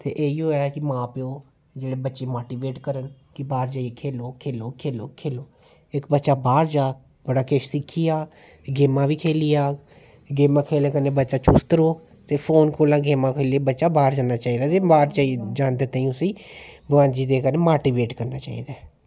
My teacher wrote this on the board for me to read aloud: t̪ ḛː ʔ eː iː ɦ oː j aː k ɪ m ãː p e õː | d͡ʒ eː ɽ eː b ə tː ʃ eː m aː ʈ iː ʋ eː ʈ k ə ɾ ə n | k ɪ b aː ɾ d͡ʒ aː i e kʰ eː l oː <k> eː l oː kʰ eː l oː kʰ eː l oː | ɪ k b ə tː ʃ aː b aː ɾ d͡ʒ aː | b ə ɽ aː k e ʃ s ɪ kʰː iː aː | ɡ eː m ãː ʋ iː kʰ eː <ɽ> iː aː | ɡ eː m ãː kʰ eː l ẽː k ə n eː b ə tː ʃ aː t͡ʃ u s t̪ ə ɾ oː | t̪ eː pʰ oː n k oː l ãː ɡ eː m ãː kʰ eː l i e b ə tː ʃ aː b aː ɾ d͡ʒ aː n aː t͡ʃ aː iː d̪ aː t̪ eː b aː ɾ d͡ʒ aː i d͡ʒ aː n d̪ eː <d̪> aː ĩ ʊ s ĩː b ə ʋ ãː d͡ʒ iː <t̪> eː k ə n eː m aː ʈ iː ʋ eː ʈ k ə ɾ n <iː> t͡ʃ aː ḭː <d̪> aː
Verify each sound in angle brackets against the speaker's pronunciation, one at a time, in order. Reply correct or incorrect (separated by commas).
incorrect, incorrect, incorrect, incorrect, incorrect, correct